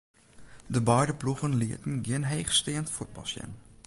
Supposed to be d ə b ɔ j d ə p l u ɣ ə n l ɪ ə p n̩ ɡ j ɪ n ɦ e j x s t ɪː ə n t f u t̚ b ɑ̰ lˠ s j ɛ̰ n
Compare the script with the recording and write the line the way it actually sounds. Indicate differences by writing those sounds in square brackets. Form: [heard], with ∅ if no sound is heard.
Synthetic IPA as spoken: d ə b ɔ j d ə p l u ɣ ə n l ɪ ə [t] n̩ ɡ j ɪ n ɦ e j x s t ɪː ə n t f u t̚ b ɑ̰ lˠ s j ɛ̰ n